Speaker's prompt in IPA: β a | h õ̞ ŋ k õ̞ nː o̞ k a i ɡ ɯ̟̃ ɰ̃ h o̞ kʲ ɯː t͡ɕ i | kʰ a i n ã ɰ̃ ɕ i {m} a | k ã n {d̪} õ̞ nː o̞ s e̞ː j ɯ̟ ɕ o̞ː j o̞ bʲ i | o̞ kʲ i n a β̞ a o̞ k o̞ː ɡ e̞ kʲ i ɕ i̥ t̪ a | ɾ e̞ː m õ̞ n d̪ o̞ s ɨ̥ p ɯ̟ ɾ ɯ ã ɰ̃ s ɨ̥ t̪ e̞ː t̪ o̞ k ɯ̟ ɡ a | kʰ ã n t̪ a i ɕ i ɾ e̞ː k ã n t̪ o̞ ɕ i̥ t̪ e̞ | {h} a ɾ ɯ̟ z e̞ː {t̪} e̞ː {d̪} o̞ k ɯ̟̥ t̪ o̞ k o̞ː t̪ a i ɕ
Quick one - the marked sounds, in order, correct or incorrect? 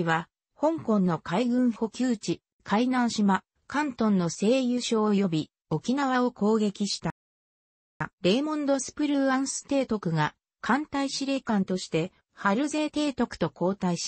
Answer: correct, incorrect: t̪, correct, correct, incorrect: t̪

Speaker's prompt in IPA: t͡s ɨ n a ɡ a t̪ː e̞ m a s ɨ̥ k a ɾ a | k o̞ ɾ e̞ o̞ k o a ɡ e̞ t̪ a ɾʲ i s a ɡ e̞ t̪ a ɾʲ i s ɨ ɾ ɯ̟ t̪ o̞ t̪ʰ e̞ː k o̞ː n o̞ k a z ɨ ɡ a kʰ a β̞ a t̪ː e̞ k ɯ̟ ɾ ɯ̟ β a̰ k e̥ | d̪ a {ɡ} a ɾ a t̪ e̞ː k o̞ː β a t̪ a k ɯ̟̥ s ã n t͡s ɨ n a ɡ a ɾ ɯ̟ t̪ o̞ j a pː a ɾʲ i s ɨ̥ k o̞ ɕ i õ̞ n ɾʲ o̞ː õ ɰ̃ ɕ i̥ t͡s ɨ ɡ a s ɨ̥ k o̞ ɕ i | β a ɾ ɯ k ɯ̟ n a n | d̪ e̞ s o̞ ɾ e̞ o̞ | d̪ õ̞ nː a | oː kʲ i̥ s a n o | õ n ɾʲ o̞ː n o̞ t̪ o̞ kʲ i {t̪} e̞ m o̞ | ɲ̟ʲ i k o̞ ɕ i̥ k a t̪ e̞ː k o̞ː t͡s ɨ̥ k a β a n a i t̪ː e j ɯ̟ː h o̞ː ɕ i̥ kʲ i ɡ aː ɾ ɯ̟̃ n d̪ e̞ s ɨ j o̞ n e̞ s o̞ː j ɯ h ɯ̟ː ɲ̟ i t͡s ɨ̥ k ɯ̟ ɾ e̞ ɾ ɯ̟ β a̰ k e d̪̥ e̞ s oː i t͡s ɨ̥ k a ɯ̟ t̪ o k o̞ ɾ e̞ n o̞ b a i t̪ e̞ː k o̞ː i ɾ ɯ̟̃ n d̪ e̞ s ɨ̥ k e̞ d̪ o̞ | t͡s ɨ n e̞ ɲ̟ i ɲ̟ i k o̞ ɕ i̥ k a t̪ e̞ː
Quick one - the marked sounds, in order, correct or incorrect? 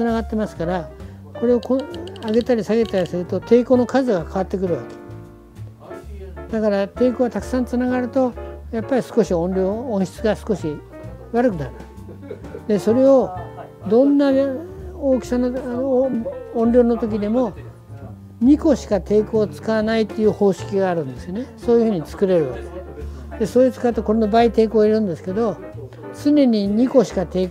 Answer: incorrect: k, incorrect: d̪

